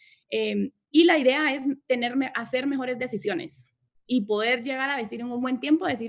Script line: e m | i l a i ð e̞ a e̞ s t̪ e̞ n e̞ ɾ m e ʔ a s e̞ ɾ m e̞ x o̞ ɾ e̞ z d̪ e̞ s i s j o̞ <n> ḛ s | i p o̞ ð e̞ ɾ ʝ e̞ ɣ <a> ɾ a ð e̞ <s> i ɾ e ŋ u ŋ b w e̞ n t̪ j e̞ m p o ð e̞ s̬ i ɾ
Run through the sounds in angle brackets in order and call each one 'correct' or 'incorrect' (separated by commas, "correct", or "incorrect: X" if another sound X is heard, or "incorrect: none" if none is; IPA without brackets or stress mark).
correct, correct, correct